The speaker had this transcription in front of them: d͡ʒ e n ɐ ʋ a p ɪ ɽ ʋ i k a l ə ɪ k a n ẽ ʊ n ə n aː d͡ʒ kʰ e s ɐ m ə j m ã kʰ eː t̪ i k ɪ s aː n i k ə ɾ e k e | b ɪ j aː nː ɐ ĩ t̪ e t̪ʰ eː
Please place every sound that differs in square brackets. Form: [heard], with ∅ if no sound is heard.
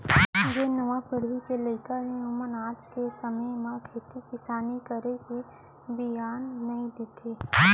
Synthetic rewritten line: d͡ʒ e n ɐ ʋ a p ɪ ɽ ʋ i k [e] l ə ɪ k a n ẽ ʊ [m] ə n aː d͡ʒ [k] e s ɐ m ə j m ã kʰ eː t̪ i k ɪ s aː n i k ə ɾ e k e | b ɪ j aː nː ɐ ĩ [d̪] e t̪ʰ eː